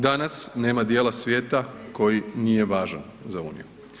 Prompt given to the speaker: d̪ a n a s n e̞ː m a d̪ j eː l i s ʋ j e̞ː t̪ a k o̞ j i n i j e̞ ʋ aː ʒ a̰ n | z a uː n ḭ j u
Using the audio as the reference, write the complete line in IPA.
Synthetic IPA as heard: d̪ a n a s n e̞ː m a d̪ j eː l a s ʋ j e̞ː t̪ a k o̞ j i n i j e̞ ʋ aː ʒ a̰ n | z a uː n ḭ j u